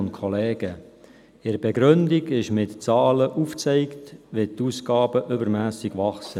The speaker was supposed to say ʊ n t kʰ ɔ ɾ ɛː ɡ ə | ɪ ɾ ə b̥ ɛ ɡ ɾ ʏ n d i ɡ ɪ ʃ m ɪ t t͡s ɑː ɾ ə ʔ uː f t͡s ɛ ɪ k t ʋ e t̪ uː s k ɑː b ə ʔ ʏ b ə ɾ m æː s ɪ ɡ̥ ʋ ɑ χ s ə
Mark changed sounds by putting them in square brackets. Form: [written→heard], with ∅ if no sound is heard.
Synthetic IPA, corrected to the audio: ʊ n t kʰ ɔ [ɾ→l] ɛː ɡ ə | ɪ ɾ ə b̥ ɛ ɡ ɾ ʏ n d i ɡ ɪ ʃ m ɪ t t͡s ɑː [ɾ→l] ə ʔ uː f t͡s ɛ ɪ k t ʋ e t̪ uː s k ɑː b ə ʔ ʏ b ə ɾ m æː s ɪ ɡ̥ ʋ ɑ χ s ə